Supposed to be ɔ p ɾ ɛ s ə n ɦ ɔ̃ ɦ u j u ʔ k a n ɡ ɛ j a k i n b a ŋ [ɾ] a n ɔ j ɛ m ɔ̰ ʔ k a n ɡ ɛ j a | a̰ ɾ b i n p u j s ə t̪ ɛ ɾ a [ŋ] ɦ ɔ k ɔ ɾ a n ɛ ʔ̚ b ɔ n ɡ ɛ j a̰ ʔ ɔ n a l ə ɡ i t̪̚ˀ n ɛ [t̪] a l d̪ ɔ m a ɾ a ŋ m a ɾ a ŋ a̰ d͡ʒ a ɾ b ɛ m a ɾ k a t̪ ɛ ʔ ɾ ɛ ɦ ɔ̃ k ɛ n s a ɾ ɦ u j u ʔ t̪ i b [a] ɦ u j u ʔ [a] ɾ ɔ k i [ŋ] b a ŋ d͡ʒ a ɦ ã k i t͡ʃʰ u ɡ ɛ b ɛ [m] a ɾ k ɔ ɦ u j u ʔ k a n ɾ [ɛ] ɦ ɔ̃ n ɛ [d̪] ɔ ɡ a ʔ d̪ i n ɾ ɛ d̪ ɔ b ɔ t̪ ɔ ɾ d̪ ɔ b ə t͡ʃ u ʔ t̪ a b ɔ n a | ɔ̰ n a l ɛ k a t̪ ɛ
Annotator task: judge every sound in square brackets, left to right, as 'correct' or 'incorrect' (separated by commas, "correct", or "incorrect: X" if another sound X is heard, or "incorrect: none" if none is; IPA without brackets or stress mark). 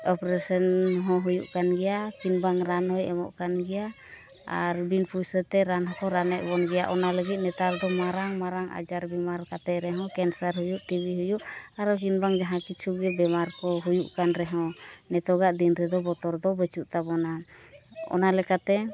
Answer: correct, incorrect: n, correct, incorrect: i, correct, incorrect: n, correct, correct, incorrect: t̪